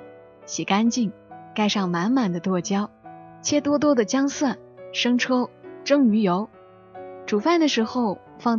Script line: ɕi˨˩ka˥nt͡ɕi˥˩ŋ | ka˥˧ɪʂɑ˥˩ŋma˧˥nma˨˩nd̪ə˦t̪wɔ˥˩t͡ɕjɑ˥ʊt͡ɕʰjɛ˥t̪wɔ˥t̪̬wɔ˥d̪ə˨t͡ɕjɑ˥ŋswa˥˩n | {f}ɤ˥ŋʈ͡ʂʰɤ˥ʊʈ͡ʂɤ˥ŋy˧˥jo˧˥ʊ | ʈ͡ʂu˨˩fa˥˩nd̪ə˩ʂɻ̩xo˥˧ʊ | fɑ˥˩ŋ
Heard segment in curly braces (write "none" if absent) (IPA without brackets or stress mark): ʂ